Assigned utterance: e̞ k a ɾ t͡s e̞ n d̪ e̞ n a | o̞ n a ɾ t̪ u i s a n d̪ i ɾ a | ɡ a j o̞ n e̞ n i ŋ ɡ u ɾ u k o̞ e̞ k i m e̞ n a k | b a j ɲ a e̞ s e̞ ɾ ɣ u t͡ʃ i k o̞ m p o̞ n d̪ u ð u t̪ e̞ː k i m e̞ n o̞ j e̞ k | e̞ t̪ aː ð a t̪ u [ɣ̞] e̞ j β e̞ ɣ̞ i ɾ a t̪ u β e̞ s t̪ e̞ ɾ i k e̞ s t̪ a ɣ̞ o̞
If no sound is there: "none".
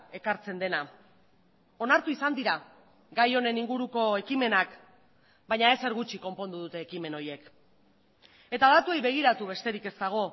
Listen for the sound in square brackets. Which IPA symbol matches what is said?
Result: none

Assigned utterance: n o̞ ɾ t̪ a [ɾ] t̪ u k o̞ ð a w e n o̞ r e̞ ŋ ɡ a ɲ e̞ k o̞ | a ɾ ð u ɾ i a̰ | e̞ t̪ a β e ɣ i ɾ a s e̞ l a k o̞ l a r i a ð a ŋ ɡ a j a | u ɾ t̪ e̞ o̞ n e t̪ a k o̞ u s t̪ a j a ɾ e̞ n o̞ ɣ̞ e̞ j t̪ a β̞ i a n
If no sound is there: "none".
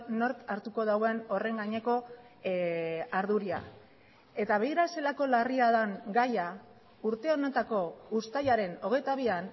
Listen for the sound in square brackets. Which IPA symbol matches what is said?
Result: ɾ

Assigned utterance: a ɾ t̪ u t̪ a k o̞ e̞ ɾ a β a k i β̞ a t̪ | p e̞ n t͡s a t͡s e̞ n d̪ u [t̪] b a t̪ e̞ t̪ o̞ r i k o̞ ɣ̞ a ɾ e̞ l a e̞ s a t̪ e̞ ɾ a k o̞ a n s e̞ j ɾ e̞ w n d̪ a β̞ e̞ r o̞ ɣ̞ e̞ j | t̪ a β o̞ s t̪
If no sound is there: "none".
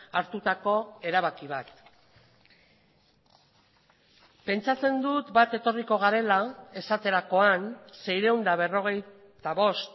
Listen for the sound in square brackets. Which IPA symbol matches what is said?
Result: t̪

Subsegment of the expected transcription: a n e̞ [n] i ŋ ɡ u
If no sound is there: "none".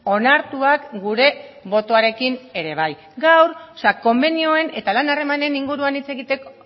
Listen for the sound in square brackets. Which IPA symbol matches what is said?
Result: n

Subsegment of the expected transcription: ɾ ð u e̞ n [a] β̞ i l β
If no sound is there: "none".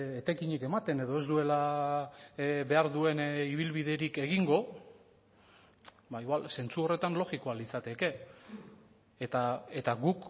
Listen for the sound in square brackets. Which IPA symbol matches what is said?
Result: i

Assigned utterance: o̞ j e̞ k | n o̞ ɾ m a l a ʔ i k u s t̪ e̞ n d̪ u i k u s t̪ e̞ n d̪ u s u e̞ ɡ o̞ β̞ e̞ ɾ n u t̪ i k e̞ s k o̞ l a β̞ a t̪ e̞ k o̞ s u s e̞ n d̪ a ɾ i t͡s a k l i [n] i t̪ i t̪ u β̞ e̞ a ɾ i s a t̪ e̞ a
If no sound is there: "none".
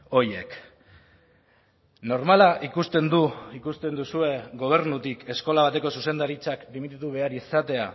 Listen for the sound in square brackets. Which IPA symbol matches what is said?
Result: m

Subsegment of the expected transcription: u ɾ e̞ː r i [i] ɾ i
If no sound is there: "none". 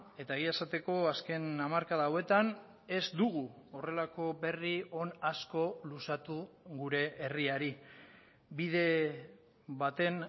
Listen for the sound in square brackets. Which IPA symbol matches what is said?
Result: a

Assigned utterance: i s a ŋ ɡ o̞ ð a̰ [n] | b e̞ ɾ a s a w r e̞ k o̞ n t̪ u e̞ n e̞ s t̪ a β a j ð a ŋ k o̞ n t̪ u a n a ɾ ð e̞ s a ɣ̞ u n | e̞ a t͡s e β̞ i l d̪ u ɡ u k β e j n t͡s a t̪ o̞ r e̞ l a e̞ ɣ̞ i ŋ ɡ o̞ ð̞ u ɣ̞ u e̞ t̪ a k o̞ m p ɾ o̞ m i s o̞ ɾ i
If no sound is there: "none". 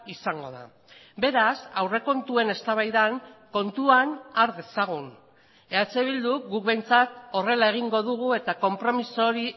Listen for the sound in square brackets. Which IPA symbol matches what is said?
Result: none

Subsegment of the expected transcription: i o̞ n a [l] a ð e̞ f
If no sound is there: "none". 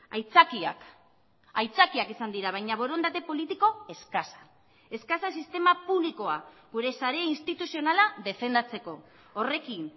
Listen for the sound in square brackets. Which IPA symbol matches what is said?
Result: l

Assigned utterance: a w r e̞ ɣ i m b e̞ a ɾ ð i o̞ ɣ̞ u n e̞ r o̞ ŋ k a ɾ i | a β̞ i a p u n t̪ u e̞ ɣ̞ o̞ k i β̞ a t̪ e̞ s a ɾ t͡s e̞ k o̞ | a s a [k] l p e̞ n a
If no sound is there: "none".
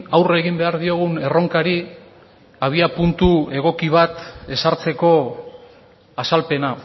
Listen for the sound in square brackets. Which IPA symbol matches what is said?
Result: none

